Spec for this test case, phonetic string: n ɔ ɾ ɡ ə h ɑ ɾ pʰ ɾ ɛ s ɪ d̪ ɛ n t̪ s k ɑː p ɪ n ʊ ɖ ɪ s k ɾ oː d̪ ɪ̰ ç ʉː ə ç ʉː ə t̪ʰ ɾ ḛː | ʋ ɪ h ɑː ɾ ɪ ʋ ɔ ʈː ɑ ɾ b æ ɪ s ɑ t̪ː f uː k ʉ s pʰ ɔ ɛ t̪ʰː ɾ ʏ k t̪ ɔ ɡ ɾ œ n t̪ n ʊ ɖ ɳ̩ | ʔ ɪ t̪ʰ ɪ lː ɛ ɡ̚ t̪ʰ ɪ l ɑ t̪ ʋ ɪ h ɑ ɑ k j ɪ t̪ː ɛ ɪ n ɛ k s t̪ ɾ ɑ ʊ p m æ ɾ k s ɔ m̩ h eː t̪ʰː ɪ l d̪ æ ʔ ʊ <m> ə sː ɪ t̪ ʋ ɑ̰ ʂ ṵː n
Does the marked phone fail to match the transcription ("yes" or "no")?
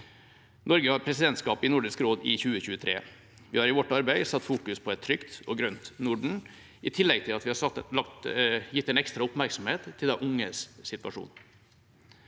yes